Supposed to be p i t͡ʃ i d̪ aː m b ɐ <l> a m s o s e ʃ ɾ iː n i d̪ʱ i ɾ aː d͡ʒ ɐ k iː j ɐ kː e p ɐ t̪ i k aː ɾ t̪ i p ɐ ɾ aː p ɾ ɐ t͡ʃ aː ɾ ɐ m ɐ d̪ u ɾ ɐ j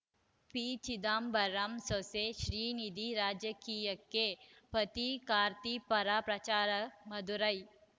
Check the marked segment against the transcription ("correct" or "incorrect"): incorrect